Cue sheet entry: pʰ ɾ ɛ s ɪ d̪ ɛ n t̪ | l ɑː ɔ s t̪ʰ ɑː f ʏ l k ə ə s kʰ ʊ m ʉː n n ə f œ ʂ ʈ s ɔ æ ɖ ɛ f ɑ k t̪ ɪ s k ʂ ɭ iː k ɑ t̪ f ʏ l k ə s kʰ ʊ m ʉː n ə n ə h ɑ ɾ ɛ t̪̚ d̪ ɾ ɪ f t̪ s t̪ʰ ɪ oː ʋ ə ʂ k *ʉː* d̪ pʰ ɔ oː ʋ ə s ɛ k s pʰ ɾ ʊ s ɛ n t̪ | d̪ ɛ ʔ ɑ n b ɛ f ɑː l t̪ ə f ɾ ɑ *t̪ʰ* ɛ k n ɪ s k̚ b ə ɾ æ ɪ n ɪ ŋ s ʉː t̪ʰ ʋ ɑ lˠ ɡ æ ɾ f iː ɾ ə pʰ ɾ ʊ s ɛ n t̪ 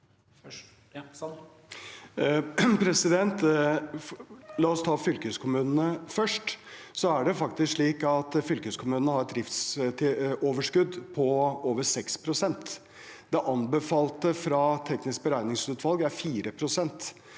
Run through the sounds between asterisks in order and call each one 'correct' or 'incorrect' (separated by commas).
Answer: incorrect, correct